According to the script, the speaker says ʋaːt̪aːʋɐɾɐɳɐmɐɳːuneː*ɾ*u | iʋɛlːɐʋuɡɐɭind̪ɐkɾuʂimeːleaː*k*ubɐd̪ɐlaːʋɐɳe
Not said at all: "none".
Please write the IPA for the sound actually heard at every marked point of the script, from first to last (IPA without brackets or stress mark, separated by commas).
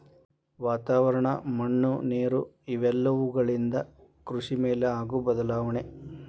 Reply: ɾ, ɡ